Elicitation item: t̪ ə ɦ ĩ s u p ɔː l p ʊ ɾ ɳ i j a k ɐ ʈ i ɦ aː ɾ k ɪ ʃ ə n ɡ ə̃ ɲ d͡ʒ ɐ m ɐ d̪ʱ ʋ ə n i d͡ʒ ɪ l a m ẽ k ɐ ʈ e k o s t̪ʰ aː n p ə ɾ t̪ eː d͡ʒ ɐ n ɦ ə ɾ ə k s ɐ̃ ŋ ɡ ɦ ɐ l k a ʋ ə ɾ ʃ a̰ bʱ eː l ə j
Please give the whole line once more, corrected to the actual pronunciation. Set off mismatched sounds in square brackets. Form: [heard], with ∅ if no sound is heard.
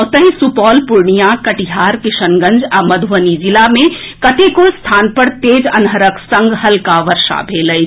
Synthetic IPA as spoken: t̪ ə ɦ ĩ s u p ɔː l p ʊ ɾ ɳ i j a k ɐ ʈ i ɦ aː ɾ k ɪ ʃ ə n ɡ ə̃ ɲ d͡ʒ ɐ m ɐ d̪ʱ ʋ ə n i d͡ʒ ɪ l a m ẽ k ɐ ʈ e k o s t̪ʰ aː n p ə ɾ t̪ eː d͡ʒ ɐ n ɦ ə ɾ ə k s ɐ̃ ŋ ɡ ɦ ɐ l k a ʋ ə ɾ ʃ a̰ bʱ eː l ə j

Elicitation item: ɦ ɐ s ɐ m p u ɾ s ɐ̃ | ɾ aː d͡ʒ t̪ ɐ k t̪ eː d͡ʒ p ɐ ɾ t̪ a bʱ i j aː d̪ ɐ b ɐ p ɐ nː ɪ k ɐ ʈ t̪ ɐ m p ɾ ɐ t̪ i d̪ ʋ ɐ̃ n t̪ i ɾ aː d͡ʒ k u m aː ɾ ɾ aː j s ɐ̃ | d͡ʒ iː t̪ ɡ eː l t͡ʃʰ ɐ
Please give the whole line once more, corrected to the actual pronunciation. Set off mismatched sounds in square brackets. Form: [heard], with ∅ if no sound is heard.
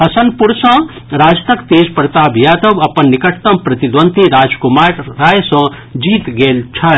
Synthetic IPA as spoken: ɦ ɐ s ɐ [n] p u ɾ s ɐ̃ | ɾ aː d͡ʒ t̪ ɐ k t̪ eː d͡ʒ p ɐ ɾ t̪ a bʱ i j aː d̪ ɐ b ɐ p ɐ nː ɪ k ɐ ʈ t̪ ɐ m p ɾ ɐ t̪ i d̪ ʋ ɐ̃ n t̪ i ɾ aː d͡ʒ k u m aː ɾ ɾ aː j s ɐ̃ | d͡ʒ iː t̪ ɡ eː l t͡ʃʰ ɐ

